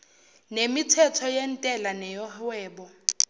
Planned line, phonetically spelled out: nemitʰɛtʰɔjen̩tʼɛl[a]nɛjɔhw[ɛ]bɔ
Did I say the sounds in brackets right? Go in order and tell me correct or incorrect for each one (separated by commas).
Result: correct, incorrect